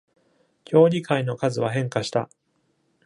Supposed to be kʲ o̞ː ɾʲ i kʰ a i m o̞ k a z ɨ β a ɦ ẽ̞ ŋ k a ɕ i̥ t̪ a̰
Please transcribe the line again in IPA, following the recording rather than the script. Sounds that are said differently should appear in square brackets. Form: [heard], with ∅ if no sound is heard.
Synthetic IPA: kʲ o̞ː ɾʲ i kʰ a i [n] o̞ k a z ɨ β a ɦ ẽ̞ ŋ k a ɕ i̥ t̪ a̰